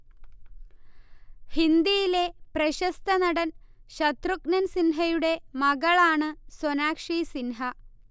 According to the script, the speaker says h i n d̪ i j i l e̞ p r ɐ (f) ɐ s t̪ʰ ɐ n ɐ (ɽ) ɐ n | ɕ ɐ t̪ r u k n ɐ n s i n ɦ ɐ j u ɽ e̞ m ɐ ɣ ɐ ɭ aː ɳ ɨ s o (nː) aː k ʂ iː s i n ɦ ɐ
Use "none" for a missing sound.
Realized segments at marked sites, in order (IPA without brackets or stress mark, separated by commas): ɕ, ɽ, n